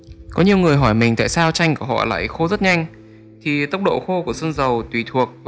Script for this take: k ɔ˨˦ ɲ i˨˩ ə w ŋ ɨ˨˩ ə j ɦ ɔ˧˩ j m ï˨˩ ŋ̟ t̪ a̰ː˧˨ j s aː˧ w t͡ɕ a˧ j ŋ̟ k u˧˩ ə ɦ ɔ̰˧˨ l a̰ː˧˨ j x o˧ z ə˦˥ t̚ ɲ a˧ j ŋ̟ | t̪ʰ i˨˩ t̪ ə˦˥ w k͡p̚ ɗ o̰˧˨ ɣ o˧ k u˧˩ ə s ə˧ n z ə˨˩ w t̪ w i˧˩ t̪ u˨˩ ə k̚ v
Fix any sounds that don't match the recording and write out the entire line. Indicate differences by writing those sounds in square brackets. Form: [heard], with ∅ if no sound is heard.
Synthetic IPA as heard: k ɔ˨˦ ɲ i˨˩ ə w ŋ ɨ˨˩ ə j ɦ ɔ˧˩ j m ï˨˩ ŋ̟ t̪ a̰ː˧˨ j s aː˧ w t͡ɕ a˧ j ŋ̟ k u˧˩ ə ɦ ɔ̰˧˨ l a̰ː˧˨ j x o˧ z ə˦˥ t̚ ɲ a˧ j ŋ̟ | t̪ʰ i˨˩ t̪ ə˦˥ w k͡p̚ ɗ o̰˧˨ [x] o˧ k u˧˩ ə s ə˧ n z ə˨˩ w t̪ w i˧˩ [t̪ʰ] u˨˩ ə k̚ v